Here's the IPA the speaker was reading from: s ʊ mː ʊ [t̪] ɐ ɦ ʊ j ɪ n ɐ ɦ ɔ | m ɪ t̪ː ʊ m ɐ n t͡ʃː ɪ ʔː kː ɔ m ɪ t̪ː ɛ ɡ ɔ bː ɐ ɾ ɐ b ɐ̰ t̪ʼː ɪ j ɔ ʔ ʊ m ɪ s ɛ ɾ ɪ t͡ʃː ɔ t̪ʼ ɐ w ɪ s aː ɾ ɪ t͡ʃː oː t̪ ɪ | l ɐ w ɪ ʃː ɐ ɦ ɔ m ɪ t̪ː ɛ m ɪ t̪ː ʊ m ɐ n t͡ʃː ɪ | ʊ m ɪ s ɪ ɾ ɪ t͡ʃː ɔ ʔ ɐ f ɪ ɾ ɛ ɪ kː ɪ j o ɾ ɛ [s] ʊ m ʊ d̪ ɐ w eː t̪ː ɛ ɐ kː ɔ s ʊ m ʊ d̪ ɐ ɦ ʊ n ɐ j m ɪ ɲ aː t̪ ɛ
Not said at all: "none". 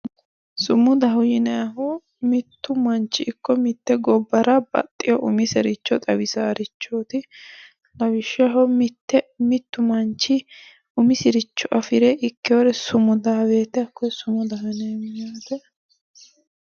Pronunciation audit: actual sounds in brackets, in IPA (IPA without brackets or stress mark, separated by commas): d̪, s